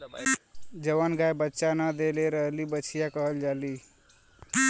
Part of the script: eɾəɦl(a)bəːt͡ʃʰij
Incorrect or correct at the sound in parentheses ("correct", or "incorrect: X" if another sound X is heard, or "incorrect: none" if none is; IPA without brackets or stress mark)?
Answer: incorrect: i